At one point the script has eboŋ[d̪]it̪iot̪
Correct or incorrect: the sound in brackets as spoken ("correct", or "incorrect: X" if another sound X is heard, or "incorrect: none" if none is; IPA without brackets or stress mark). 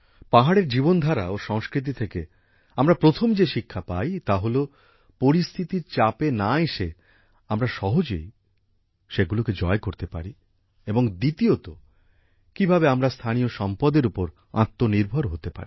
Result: correct